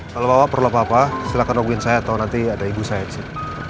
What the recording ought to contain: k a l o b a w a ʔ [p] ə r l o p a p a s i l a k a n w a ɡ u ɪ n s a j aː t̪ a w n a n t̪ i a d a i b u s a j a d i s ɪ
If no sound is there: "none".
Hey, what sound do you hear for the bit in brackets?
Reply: p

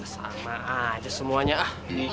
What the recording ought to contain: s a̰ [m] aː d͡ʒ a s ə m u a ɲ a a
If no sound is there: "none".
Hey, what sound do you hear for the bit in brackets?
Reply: m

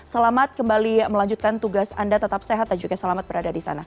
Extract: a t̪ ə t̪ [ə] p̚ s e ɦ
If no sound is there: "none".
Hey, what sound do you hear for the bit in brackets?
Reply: a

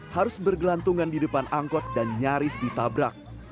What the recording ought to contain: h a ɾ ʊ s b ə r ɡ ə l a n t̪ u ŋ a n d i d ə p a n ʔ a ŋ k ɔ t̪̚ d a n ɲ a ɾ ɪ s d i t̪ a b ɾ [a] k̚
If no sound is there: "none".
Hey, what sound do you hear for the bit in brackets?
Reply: a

